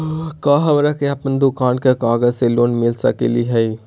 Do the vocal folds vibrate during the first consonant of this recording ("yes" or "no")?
no